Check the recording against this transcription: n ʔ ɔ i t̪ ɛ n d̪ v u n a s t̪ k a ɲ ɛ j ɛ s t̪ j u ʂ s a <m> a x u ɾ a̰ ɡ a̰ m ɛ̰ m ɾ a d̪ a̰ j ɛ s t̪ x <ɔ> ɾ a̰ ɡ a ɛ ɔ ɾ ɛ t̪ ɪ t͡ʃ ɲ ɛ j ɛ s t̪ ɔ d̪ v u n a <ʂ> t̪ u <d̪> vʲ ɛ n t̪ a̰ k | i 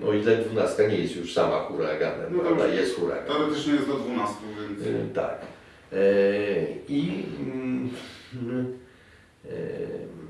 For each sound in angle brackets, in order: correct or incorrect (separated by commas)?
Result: correct, incorrect, incorrect, incorrect